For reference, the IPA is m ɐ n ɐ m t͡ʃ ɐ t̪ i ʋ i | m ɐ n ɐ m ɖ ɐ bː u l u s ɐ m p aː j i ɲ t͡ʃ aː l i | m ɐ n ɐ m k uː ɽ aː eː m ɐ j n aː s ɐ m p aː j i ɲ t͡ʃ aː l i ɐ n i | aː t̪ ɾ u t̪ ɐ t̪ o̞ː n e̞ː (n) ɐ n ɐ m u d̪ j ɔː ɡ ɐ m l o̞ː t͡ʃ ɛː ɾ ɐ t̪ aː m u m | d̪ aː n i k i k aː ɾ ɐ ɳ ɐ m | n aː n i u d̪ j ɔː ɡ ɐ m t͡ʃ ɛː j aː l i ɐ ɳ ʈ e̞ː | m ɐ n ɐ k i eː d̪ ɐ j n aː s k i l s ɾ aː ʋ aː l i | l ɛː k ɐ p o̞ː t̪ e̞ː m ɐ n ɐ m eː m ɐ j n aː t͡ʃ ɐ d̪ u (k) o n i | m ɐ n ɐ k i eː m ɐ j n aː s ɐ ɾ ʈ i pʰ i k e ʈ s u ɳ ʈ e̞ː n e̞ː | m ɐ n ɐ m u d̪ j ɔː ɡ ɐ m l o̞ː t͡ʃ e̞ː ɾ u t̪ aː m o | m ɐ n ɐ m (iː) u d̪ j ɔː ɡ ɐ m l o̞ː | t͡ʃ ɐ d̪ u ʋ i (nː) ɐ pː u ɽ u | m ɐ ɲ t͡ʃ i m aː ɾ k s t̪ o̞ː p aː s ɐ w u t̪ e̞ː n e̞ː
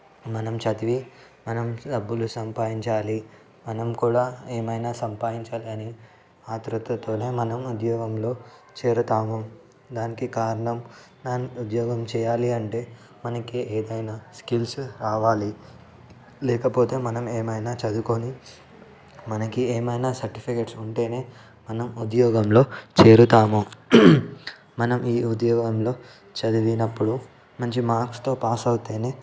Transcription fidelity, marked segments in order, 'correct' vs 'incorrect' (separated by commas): incorrect, correct, correct, incorrect